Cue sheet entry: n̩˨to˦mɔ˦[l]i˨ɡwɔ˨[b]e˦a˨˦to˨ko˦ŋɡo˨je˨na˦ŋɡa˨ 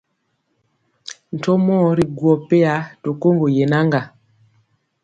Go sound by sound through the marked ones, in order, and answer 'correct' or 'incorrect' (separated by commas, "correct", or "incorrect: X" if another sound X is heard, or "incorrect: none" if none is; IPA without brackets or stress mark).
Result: incorrect: ɾ, incorrect: p